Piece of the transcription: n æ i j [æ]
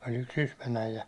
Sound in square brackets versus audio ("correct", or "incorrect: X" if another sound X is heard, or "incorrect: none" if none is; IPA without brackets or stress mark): correct